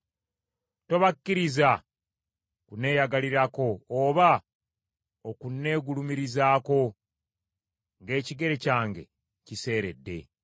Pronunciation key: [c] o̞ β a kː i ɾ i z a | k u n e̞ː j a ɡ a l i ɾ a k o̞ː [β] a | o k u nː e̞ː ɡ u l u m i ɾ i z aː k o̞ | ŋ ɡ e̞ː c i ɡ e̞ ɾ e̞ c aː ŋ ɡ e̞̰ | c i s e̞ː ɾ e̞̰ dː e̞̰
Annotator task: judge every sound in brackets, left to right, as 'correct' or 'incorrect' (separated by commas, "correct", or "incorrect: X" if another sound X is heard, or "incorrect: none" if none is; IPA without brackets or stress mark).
incorrect: t, correct